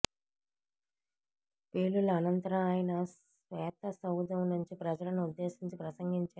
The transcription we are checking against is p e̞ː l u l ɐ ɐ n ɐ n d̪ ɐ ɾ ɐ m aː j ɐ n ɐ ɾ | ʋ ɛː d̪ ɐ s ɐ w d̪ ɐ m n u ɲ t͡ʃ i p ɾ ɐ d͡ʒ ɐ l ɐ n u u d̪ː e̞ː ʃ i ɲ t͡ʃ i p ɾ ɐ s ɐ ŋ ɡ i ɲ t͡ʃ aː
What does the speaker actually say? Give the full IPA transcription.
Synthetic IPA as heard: p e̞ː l u l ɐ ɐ n ɐ n t̪ ɐ ɾ ɐ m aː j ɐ n ɐ | ʋ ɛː t̪ ɐ s ɐ w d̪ ɐ m n u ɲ t͡ʃ i p ɾ ɐ d͡ʒ ɐ l ɐ n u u d̪ː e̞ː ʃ i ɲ t͡ʃ i p ɾ ɐ s ɐ ŋ ɡ i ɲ t͡ʃ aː